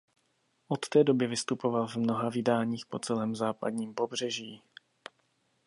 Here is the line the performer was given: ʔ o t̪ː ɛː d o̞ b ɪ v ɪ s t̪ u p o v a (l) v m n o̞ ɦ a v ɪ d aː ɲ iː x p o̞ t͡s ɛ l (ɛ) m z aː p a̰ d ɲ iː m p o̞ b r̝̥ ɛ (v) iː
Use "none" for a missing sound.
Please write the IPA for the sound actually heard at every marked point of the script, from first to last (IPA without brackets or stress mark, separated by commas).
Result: l, ɛː, ʒ